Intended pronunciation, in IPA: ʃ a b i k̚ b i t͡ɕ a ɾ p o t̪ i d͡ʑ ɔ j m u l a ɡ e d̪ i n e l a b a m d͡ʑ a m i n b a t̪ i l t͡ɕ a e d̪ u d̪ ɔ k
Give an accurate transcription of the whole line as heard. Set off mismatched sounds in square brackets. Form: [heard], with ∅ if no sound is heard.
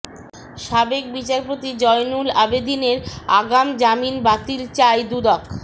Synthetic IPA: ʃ a b [e] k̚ b i t͡ɕ a ɾ p o t̪ i d͡ʑ ɔ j [n] u l a [b] e d̪ i n e [ɾ] a [ɡ] a m d͡ʑ a m i n b a t̪ i l t͡ɕ a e d̪ u d̪ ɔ k

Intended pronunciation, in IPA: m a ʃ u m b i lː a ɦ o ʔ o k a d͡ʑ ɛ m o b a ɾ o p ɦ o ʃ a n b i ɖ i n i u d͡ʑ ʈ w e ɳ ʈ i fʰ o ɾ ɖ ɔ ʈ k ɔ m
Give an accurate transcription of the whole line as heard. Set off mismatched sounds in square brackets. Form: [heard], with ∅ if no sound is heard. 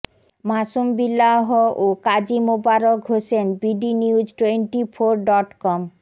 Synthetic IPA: m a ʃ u m b i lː a ɦ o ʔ o k a d͡ʑ [i] m o b a ɾ o [k] ɦ o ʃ [e] n b i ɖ i n i u d͡ʑ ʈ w e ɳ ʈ i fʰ o ɾ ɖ ɔ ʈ k ɔ m

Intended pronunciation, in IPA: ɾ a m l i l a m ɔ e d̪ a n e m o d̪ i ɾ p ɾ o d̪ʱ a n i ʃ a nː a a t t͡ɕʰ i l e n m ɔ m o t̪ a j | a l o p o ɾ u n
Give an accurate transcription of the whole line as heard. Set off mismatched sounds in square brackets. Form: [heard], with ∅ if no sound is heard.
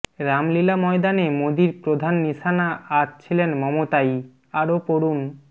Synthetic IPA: ɾ a m l i l a m ɔ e d̪ a n e m o d̪ i ɾ p ɾ o d̪ʱ a [nː] i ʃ a [n] a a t t͡ɕʰ i l e n m ɔ m o t̪ a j | a [ɾ] o p o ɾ u n

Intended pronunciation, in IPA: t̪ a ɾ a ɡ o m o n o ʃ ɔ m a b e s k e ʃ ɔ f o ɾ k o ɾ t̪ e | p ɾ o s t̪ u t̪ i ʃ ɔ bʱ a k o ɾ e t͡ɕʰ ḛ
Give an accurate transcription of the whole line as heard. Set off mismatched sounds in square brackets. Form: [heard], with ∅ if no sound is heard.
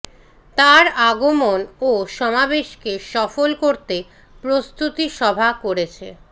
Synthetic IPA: t̪ a ɾ a ɡ o m o n o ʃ ɔ m a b e [ʃ] k e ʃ ɔ f o [l] k o ɾ t̪ e | p ɾ o s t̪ u t̪ i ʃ ɔ bʱ a k o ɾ e t͡ɕʰ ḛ

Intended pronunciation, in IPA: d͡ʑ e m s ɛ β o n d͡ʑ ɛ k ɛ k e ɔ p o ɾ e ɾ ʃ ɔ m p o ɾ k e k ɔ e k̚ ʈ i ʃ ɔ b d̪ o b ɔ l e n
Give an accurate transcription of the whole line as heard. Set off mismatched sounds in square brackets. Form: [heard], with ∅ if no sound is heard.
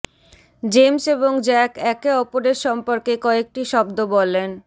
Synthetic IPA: d͡ʑ e m s [e] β o [ŋ] d͡ʑ ɛ k ɛ k e ɔ p o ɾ e ɾ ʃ ɔ m p o ɾ k e k ɔ e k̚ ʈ i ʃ ɔ b d̪ o b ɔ l e n

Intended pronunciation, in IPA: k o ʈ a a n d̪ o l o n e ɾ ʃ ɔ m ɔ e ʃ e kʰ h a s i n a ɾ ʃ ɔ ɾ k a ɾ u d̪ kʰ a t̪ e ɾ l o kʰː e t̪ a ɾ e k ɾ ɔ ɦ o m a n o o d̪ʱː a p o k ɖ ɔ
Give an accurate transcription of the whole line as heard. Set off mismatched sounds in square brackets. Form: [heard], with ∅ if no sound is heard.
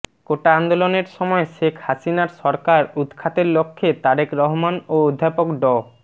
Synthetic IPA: k o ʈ a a n d̪ o l o n e ɾ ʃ ɔ m ɔ e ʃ e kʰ h a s i n a ɾ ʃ ɔ ɾ k a ɾ u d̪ kʰ a t̪ e ɾ l o kʰː e t̪ a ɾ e k ɾ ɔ ɦ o m a n o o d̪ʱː a p o k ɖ ɔ

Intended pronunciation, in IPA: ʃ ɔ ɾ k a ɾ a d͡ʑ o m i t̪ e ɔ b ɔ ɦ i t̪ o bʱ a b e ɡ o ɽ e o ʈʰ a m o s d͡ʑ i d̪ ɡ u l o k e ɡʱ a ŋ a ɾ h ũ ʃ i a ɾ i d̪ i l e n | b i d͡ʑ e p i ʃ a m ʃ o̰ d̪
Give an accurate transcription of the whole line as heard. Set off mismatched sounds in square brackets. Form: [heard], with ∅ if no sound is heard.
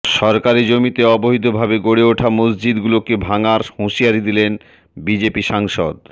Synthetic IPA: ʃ ɔ ɾ k a ɾ [i] d͡ʑ o m i t̪ e ɔ b [o] ɦ i t̪ o bʱ a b e ɡ o ɽ e o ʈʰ a m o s d͡ʑ i d̪ ɡ u l o k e [bʱ] a ŋ a ɾ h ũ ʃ i a ɾ i d̪ i l e n | b i d͡ʑ e p i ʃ a [ŋ] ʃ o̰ d̪

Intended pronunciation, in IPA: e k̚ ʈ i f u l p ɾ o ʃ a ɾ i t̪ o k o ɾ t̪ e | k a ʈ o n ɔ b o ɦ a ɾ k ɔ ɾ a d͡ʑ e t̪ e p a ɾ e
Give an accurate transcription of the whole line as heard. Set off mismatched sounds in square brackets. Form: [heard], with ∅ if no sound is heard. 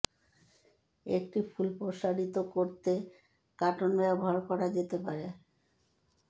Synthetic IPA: e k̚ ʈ i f u l p ɾ o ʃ a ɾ i t̪ o k o ɾ t̪ e | k a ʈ o n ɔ b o ɦ a ɾ k ɔ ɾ a d͡ʑ e t̪ e p a ɾ e

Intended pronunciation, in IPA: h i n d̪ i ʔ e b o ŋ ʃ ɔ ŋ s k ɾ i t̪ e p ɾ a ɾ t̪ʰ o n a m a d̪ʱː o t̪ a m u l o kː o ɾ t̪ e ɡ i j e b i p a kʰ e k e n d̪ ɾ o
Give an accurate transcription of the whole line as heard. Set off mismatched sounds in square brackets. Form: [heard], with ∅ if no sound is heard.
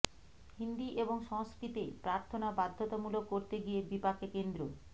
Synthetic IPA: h i n d̪ i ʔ e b o ŋ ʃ ɔ ŋ s k ɾ i t̪ e p ɾ a ɾ t̪ʰ o n a [b] a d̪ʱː o t̪ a m u l o kː o ɾ t̪ e ɡ i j e b i p a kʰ e k e n d̪ ɾ o

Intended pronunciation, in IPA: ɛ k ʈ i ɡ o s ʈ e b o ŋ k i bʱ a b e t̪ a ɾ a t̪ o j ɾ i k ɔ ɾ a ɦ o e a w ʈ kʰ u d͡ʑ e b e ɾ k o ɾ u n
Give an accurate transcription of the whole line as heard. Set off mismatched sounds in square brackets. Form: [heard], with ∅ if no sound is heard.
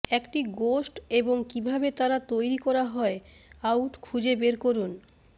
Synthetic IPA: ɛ k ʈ i ɡ o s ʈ e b o ŋ k i bʱ a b e t̪ a ɾ a t̪ o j ɾ i k ɔ ɾ a ɦ [ɔ] e a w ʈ kʰ u d͡ʑ e b e ɾ k o ɾ u n

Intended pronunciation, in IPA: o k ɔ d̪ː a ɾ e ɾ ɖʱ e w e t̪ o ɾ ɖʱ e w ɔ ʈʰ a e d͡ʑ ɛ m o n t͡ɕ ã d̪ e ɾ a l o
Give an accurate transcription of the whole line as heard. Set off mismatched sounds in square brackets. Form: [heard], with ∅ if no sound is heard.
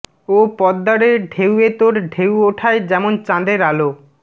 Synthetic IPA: o [p] ɔ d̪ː a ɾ e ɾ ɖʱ e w e t̪ o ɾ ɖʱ e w [o] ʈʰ a e d͡ʑ ɛ m o n t͡ɕ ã d̪ e ɾ a l o

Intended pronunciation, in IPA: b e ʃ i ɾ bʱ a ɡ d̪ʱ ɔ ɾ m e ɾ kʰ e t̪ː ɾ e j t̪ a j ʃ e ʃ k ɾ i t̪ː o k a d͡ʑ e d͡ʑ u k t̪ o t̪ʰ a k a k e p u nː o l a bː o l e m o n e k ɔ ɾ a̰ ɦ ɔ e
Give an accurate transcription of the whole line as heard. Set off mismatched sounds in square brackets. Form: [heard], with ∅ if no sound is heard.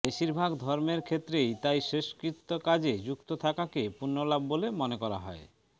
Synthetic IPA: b e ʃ i ɾ bʱ a ɡ d̪ʱ ɔ ɾ m e ɾ kʰ e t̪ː ɾ e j t̪ a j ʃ e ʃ k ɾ i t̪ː o k a d͡ʑ e d͡ʑ u k t̪ o t̪ʰ a k a k e p u nː o l a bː o l e m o n e k ɔ ɾ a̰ ɦ ɔ e

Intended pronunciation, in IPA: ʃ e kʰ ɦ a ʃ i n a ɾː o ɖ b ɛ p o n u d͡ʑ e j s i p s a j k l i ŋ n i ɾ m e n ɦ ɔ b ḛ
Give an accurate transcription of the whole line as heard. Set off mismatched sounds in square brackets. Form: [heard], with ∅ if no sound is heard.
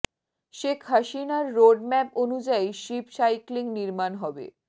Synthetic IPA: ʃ e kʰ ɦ a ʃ i n a ɾː o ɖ [m] ɛ p o n u d͡ʑ [a] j [ʃ] i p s a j k l i ŋ n i ɾ m [a] n ɦ ɔ b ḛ

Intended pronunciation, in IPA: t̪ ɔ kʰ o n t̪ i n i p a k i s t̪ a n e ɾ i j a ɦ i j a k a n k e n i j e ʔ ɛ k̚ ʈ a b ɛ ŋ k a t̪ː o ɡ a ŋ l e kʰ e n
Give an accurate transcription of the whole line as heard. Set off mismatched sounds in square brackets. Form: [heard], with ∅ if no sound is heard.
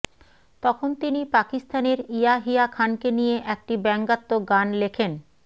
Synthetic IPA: t̪ ɔ kʰ o n t̪ i n i p a k i s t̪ a n e ɾ i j a ɦ i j a [kʰ] a n k e n i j e ʔ ɛ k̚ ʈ [i] b ɛ ŋ [ɡ] a t̪ː o ɡ a [n] l e kʰ e n

